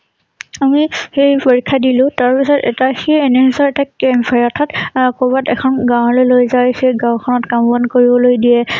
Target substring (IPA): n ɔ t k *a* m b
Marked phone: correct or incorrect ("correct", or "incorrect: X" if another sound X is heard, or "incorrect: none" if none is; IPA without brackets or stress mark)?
correct